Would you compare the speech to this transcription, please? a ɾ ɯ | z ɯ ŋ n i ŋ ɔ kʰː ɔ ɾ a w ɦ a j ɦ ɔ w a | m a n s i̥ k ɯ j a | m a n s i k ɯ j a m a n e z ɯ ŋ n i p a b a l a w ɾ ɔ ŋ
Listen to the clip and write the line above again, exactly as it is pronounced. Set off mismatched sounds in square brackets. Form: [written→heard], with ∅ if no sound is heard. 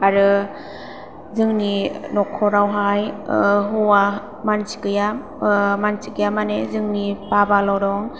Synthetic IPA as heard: a ɾ ɯ | z ɯ ŋ n i [ŋ→n] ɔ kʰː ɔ ɾ a w ɦ a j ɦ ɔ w a | m a n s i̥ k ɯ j a | m a n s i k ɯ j a m a n e z ɯ ŋ n i p a b a l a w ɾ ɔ ŋ